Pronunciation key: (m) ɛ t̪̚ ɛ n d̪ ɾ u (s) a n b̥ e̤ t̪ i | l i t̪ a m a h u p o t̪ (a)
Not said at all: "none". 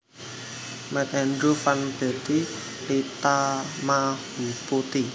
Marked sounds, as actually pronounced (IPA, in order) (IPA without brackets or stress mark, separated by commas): m, f, i